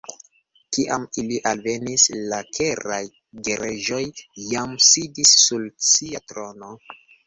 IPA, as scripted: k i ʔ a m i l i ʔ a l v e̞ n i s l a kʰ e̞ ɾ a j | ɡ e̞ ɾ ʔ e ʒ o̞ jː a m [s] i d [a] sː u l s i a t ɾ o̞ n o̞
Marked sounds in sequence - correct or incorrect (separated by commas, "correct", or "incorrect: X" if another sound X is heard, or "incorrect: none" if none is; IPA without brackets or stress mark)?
correct, incorrect: i